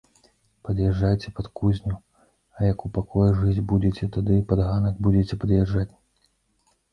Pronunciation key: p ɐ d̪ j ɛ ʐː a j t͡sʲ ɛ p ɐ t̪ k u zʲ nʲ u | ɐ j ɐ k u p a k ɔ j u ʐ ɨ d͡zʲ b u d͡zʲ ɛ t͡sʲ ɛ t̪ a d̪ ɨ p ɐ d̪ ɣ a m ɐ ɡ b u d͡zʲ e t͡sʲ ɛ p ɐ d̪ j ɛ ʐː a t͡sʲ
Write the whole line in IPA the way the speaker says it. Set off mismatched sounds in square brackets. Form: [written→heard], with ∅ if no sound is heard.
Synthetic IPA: p ɐ d̪ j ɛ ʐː a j t͡sʲ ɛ p ɐ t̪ k u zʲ nʲ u | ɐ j ɐ k u p a k ɔ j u ʐ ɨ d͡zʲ b u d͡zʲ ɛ t͡sʲ ɛ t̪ a d̪ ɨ p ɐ d̪ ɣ a [m→n] ɐ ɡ b u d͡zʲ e t͡sʲ ɛ p ɐ d̪ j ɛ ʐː a t͡sʲ